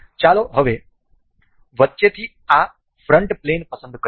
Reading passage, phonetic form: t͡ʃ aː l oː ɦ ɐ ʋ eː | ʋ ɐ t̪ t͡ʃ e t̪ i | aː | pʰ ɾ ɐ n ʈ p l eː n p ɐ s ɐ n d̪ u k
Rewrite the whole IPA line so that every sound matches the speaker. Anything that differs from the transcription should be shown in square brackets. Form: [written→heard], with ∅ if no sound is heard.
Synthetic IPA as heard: t͡ʃ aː l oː ɦ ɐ ʋ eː | ʋ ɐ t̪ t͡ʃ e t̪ i | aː | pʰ ɾ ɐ [n→ɳ] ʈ p l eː n p ɐ s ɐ n d̪ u k